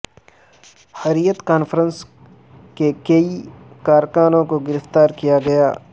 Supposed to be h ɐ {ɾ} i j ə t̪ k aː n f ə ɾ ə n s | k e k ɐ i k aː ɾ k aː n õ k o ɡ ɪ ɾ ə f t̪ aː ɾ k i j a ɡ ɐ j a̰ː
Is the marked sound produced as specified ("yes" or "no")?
yes